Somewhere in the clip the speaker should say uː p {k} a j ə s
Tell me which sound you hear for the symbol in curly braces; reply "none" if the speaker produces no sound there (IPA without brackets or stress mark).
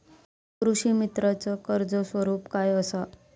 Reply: k